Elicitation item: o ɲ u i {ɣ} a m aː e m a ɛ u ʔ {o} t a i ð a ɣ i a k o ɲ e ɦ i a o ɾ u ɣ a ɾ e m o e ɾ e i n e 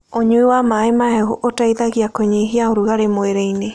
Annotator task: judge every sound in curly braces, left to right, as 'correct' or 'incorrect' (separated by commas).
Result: incorrect, correct